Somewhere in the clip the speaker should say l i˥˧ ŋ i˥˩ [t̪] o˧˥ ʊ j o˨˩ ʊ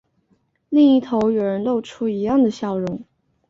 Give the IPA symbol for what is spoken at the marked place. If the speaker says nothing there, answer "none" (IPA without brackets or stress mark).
t̪ʰ